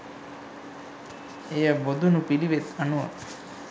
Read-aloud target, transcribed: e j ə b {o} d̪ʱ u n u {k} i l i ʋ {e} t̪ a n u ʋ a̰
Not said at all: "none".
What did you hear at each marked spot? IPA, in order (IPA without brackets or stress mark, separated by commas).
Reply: o, p, e